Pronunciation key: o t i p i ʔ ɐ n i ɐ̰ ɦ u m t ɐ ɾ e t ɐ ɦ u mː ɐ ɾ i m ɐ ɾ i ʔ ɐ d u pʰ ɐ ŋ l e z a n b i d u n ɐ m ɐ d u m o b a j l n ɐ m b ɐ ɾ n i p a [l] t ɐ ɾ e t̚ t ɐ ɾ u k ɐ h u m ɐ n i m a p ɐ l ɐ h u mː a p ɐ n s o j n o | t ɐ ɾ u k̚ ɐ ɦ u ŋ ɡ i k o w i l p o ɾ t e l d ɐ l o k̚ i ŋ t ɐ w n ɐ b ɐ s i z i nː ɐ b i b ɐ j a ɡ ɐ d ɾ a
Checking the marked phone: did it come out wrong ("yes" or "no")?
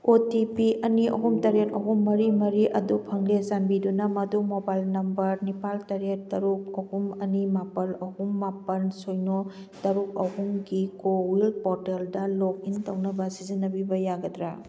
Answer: no